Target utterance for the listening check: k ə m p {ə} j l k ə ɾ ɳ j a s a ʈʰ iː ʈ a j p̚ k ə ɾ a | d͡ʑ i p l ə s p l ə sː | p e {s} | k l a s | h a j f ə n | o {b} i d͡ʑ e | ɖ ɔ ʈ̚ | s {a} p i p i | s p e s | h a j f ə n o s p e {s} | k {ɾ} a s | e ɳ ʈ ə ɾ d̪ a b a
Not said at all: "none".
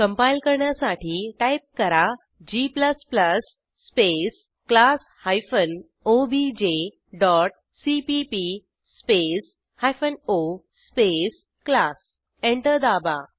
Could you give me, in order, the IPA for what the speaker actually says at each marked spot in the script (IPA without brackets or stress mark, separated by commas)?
a, s, b, i, s, l